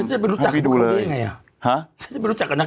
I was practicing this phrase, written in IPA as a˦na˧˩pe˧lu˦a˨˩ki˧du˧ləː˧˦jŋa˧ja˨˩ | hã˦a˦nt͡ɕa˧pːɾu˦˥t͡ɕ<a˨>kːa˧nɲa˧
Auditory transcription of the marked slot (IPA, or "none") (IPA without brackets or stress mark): a˨